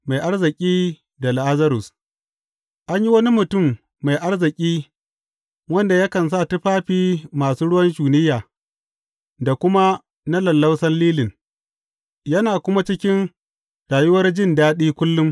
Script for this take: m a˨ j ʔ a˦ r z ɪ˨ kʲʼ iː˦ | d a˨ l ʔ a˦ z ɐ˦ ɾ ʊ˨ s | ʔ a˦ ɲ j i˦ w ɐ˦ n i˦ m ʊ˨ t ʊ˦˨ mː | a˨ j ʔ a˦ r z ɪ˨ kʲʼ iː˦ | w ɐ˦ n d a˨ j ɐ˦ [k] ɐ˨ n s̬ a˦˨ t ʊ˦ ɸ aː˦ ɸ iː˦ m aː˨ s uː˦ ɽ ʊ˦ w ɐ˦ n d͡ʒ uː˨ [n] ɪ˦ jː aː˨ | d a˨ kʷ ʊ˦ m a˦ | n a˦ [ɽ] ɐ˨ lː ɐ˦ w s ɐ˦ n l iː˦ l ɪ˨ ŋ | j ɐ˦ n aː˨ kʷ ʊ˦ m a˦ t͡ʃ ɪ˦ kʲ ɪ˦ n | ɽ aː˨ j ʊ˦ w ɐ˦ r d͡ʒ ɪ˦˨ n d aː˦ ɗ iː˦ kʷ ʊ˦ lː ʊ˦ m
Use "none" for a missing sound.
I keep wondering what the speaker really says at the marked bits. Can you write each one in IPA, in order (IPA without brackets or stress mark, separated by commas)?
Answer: k, n, l